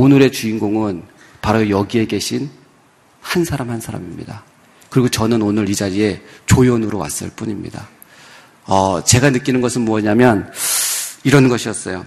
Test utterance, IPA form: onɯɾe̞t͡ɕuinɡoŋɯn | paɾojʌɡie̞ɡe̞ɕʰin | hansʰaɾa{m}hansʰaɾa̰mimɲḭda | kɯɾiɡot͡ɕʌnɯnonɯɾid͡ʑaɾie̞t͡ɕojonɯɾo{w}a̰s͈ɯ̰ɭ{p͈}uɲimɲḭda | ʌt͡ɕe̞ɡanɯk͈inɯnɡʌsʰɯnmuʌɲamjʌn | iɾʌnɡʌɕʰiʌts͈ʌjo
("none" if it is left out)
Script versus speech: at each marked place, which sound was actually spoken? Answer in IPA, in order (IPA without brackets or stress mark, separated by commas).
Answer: m, w, p͈